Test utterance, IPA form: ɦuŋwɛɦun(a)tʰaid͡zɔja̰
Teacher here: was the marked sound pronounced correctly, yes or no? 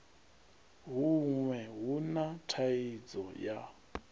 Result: yes